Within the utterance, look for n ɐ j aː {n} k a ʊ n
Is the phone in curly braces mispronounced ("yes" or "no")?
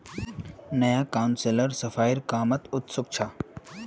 yes